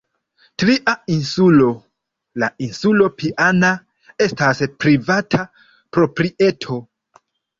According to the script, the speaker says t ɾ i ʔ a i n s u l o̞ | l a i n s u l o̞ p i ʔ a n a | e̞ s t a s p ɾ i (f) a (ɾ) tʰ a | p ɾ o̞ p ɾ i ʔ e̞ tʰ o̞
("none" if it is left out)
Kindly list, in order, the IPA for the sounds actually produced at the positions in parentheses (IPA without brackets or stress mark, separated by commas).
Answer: v, none